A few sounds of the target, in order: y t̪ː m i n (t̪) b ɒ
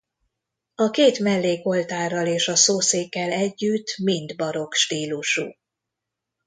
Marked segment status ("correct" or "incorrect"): incorrect